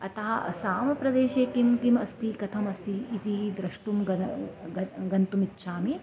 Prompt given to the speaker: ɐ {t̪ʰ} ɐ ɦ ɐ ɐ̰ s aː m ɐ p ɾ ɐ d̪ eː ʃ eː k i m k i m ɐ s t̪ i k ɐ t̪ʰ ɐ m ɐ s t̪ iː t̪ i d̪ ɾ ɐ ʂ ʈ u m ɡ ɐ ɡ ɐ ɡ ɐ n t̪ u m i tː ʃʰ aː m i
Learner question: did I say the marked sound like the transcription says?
no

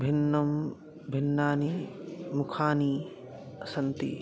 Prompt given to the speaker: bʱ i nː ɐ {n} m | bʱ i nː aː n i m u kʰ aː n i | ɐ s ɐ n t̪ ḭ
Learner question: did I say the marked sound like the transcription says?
no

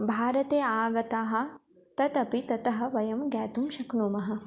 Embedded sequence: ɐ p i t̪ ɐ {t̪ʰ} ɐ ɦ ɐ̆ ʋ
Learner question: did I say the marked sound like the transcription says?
no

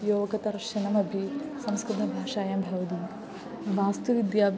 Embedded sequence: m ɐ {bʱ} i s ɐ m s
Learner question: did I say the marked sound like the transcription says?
yes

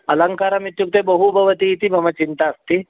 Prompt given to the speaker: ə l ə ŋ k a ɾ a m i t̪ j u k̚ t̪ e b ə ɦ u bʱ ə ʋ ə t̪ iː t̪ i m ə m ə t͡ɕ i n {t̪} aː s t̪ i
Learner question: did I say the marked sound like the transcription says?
yes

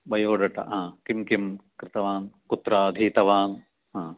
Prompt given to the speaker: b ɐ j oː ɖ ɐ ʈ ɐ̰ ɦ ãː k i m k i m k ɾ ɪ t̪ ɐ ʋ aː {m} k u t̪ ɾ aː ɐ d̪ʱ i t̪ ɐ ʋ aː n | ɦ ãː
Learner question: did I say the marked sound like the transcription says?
no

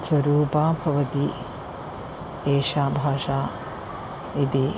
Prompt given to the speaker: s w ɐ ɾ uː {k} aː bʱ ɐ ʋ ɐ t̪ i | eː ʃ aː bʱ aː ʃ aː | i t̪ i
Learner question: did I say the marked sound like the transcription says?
no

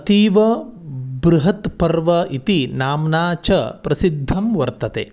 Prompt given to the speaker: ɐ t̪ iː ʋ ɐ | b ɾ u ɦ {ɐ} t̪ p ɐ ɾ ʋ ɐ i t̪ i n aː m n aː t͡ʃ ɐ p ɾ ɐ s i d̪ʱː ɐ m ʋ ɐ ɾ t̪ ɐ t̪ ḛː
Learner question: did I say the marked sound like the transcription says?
yes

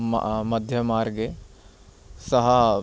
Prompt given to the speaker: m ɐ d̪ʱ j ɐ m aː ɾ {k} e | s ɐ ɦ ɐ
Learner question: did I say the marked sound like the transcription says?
no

